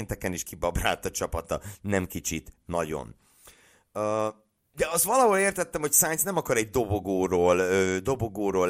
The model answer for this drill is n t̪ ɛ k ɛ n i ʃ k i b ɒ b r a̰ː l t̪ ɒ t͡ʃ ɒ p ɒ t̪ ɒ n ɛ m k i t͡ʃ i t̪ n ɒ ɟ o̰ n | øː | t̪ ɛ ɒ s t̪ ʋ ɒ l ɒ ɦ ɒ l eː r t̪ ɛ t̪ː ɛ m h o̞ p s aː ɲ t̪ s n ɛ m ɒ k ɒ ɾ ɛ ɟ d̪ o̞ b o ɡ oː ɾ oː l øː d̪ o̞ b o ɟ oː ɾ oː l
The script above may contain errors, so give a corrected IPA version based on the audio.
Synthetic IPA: n t̪ ɛ k ɛ n i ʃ k i b ɒ b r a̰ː l t̪ ɒ t͡ʃ ɒ p ɒ t̪ ɒ n ɛ m k i t͡ʃ i t̪ n ɒ ɟ o̰ n | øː | d̪ ɛ ɒ s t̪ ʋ ɒ l ɒ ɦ o l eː r t̪ ɛ t̪ː ɛ m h o̞ c s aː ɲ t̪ s n ɛ m ɒ k ɒ ɾ ɛ ɟ d̪ o̞ b o ɡ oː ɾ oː l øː d̪ o̞ b o ɡ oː ɾ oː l